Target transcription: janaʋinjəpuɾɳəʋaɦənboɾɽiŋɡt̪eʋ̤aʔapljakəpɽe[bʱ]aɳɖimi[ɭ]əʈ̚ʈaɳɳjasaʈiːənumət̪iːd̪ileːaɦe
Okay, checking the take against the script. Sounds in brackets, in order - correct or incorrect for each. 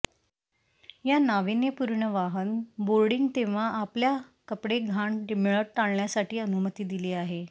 incorrect, correct

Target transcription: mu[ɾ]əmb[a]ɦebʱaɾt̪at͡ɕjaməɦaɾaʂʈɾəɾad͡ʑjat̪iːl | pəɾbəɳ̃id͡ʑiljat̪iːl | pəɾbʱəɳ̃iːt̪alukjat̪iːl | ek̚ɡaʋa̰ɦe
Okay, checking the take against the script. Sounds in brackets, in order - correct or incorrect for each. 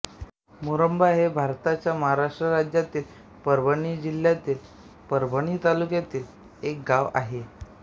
correct, correct

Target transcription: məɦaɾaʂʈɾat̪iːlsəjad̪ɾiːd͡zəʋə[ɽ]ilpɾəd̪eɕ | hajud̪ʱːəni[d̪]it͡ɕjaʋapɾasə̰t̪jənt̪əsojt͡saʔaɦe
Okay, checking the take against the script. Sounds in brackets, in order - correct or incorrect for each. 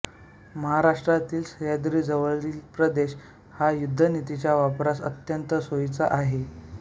incorrect, incorrect

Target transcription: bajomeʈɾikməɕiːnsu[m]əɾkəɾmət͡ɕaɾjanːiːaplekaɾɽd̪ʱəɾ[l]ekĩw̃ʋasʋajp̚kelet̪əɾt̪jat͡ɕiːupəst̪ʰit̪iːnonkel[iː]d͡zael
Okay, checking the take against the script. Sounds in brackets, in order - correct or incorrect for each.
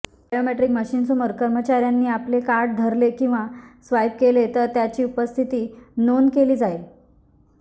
correct, correct, correct

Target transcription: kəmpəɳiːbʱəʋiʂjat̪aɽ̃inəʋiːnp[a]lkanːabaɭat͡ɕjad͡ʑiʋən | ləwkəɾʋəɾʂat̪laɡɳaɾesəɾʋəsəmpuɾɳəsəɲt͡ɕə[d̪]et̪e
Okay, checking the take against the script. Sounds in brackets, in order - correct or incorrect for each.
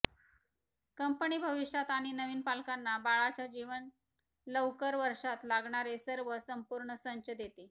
correct, correct

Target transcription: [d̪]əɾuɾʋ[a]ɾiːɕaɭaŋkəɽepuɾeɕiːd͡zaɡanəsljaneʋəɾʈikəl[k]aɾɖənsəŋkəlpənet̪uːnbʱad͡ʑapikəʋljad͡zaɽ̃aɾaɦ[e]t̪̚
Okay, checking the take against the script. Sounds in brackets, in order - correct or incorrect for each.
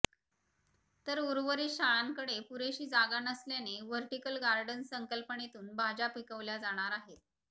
incorrect, incorrect, incorrect, correct

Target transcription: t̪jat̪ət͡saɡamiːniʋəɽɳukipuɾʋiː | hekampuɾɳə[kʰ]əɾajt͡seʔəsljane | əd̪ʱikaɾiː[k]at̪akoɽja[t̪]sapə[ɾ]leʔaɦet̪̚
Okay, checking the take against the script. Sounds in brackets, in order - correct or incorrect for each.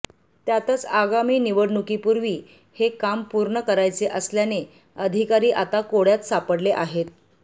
incorrect, incorrect, correct, incorrect

